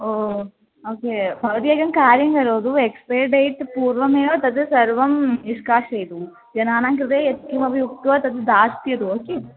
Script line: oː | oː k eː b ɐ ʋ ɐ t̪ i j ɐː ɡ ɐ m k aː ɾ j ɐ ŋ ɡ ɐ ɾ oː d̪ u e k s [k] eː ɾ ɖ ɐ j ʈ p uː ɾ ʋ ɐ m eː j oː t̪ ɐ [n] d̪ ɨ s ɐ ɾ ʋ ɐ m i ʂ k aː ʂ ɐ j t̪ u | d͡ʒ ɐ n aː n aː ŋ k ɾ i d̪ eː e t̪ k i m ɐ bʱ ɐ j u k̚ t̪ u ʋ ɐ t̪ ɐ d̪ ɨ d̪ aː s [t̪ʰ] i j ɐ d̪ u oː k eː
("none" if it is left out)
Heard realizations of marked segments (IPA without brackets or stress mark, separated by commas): p, none, t̪